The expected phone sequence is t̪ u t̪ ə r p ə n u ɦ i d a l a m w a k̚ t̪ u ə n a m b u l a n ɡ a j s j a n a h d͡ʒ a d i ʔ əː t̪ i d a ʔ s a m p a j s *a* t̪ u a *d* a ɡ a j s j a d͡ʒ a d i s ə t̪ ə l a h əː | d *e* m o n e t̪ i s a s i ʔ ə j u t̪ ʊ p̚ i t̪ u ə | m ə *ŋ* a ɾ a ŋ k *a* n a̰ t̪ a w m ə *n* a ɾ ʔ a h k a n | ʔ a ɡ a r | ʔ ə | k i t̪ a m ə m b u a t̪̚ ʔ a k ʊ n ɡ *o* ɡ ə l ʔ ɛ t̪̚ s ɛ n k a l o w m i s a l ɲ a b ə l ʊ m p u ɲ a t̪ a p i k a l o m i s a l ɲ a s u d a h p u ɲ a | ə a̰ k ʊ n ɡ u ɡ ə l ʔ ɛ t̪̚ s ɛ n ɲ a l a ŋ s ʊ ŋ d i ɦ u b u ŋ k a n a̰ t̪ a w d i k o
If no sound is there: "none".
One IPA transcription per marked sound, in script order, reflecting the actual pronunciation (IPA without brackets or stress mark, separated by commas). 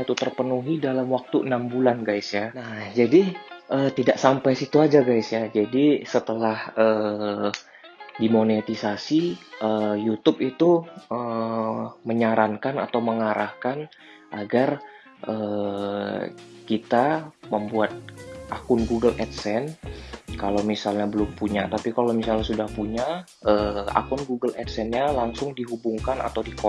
i, d͡ʒ, i, ɲ, a, ŋ, u